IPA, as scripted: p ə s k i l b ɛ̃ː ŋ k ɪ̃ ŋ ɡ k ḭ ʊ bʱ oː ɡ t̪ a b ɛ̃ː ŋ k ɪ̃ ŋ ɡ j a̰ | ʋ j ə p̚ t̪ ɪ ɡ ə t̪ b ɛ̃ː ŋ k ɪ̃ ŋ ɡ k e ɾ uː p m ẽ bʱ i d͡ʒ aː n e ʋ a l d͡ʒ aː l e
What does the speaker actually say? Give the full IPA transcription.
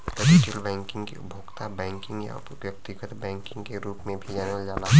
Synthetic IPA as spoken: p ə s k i l b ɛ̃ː ŋ k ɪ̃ ŋ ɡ k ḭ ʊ bʱ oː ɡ t̪ a b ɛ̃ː ŋ k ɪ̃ ŋ ɡ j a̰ | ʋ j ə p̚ t̪ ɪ ɡ ə t̪ b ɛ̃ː ŋ k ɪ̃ ŋ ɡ k e ɾ uː p m ẽ bʱ i d͡ʒ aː n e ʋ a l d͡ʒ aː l a